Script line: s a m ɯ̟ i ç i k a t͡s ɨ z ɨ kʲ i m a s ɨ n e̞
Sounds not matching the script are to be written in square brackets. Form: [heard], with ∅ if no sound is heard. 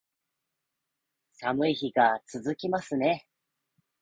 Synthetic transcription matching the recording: s a m ɯ̟ i ç i [ɡ] a t͡s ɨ z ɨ kʲ i m a s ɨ n e̞